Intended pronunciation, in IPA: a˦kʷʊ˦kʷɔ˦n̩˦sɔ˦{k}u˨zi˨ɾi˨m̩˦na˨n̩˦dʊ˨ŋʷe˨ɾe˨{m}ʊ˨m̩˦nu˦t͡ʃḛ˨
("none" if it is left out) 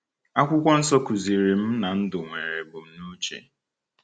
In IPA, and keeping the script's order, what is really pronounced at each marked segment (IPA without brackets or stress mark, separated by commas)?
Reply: k, b